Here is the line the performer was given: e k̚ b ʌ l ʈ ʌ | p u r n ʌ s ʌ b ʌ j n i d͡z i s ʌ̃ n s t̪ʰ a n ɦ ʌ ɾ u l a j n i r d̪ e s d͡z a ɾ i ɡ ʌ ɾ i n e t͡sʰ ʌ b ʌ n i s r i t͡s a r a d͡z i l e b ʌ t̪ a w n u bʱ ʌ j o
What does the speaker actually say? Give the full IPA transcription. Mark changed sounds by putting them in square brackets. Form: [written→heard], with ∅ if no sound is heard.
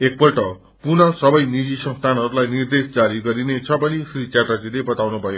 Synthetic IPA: e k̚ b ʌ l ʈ ʌ | p u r n ʌ s ʌ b ʌ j n i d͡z i s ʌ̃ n s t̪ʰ a n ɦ ʌ ɾ u l a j n i r d̪ e s d͡z a ɾ i ɡ ʌ ɾ i n e t͡sʰ ʌ b ʌ n i s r i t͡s a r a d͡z i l e b ʌ t̪ a w n u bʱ ʌ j o